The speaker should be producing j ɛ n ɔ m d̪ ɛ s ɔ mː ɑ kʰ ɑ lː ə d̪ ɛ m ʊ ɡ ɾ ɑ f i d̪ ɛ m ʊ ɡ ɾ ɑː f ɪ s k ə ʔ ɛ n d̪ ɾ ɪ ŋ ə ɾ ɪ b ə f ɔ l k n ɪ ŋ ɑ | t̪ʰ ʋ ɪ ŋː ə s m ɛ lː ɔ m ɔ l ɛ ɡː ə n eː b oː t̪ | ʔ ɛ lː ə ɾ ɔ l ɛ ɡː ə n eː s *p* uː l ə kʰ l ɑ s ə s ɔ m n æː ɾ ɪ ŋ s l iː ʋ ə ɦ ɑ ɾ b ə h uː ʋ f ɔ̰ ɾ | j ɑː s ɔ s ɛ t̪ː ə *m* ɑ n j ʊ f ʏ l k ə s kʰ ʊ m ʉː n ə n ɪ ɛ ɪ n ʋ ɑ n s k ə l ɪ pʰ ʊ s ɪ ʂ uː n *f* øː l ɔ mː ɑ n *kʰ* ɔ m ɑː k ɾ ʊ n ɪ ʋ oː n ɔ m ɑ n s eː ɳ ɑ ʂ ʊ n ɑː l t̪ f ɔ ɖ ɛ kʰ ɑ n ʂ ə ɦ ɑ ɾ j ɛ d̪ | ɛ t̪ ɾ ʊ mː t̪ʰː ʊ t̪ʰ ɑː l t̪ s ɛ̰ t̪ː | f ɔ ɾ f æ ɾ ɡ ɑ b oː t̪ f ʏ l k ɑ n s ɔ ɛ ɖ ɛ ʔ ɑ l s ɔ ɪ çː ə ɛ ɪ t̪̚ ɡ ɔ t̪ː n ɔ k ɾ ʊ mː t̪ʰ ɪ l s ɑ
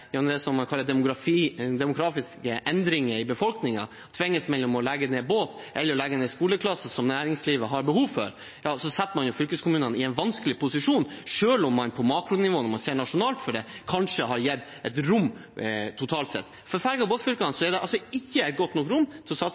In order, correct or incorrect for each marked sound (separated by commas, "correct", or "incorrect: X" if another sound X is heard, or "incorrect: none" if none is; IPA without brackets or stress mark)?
incorrect: k, correct, incorrect: ʂ, incorrect: pʰ